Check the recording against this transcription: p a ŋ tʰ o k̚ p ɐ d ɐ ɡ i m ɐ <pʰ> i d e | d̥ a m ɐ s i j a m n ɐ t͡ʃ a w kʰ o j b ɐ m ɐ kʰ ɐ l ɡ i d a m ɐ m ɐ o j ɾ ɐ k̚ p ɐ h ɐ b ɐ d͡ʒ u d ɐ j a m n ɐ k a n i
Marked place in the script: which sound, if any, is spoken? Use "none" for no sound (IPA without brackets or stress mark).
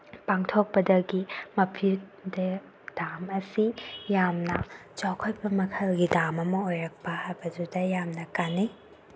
pʰ